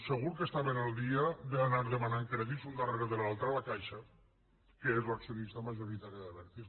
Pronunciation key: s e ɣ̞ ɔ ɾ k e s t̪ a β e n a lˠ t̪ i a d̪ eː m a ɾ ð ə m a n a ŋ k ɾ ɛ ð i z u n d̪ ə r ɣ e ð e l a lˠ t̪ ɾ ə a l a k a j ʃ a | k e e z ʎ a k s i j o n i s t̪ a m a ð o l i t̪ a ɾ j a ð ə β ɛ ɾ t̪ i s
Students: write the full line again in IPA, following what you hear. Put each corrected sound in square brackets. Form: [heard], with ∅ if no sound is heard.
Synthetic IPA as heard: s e ɣ̞ [u] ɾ k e s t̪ a β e n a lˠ [d̪] i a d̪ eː [n] a ɾ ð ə m a n a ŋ k ɾ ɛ ð i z u n d̪ [a] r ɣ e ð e l a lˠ t̪ ɾ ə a l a k a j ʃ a | k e e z [l] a k s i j o n i s t̪ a m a [ʒ] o [ɾ] i t̪ a ɾ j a ð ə β ɛ ɾ t̪ i s